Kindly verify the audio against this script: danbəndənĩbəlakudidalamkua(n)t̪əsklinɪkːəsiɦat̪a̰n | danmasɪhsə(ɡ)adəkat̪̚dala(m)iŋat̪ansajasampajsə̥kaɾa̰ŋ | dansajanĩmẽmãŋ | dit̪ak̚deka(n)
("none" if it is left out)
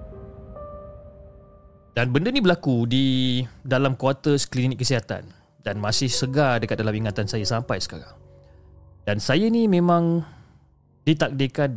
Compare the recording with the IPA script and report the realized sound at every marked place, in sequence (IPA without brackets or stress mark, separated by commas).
none, ɡ, m, n